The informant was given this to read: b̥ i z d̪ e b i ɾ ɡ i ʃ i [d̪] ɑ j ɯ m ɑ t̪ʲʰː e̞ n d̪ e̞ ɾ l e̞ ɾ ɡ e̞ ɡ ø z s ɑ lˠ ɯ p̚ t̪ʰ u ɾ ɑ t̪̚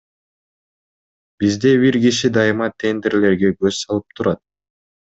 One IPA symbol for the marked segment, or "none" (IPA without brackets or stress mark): d̪